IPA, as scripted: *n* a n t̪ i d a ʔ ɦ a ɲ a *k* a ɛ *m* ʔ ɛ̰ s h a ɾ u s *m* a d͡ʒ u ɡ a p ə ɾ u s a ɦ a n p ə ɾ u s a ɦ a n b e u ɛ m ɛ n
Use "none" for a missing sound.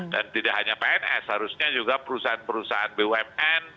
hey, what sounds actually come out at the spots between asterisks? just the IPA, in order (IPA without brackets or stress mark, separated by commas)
d, p, n, ɲ